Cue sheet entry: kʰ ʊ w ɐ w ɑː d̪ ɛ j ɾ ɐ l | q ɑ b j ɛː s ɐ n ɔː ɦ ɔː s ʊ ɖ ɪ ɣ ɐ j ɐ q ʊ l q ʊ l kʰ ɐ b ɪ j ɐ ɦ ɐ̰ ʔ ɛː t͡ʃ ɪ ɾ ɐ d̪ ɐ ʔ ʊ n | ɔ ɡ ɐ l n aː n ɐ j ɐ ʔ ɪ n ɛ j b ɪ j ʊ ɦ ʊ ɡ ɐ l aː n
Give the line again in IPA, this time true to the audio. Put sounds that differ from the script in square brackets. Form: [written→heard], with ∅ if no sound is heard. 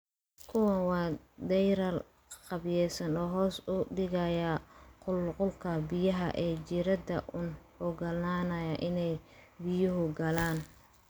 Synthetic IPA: kʰ ʊ w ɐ w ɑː d̪ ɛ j ɾ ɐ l | q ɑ b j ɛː s ɐ n ɔː ɦ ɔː s ʊ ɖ ɪ ɣ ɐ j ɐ q ʊ l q ʊ l kʰ ɐ b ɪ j ɐ ɦ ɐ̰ ʔ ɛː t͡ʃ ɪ ɾ ɐ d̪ ɐ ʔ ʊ n | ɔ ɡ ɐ l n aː n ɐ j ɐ ʔ ɪ n ɛ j b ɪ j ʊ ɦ ʊ ɡ ɐ l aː n